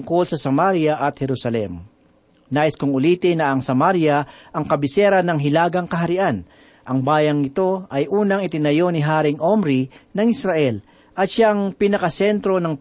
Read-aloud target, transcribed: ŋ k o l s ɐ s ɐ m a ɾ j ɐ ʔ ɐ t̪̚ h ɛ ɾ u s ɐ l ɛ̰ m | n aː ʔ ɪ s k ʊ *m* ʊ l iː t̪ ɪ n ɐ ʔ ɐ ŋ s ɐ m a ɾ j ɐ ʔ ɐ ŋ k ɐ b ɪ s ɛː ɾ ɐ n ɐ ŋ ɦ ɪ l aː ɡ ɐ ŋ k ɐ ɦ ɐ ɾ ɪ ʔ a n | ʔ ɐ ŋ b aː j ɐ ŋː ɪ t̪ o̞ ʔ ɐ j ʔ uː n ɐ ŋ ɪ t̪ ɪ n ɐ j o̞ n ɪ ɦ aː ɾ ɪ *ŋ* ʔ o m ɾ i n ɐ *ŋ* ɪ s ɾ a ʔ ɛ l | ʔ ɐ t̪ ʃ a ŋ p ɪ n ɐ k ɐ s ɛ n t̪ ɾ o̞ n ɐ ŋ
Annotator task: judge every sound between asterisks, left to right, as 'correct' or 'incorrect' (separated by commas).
incorrect, correct, correct